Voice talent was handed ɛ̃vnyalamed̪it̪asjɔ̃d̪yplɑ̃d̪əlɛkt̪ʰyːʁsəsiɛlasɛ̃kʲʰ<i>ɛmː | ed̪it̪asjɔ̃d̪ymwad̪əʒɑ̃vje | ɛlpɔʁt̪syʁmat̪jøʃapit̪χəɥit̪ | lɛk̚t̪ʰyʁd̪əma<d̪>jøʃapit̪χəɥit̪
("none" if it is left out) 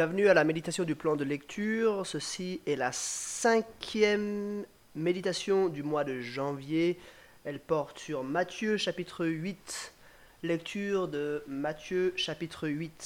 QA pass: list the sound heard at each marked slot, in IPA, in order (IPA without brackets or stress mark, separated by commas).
j, t̪